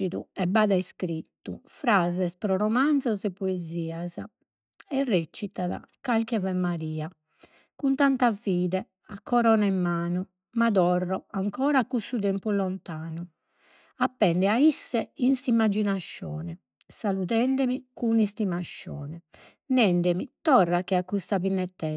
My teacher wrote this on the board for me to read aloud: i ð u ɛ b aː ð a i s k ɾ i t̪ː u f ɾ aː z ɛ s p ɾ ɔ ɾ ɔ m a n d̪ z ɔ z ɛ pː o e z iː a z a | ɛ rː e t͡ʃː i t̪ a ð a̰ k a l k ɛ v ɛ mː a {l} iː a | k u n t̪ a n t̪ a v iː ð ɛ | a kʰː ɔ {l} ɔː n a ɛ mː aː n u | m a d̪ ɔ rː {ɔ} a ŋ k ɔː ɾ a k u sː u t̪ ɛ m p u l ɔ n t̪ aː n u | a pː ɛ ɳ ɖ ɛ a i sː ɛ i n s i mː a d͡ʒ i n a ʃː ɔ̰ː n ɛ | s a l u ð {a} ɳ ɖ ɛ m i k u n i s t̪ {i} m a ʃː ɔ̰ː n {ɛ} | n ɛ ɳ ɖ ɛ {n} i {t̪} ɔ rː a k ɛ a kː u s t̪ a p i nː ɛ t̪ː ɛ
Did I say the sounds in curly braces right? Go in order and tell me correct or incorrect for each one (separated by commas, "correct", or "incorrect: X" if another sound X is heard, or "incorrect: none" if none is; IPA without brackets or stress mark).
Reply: incorrect: ɾ, incorrect: ɾ, correct, incorrect: ɛ, correct, correct, incorrect: m, correct